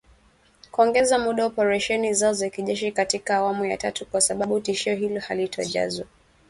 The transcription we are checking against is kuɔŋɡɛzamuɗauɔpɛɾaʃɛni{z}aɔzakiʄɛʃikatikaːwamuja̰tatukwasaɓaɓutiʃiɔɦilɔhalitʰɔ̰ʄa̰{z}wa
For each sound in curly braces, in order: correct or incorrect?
correct, correct

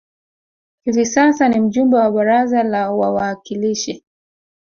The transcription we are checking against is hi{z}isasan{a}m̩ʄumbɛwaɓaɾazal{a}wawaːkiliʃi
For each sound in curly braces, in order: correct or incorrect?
incorrect: v, incorrect: i, correct

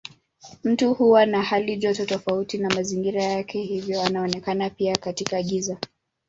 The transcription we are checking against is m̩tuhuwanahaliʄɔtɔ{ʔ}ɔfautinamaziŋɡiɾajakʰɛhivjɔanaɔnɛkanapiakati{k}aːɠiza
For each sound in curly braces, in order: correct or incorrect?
incorrect: t, correct

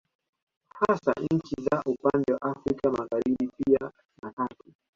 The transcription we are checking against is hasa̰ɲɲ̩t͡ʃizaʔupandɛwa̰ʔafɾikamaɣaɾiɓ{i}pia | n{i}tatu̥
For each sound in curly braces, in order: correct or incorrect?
correct, incorrect: a

